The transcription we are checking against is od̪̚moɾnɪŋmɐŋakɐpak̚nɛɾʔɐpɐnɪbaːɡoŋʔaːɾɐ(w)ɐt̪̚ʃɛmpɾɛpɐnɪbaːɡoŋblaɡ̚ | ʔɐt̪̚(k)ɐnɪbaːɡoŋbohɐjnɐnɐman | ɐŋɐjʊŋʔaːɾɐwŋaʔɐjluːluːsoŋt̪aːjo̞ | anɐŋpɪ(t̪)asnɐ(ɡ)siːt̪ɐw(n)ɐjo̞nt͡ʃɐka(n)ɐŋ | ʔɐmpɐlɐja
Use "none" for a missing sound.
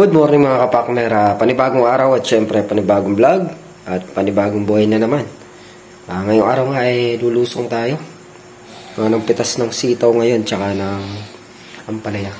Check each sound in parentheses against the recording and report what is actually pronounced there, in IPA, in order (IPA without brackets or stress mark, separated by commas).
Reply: w, p, t̪, ŋ, ŋ, n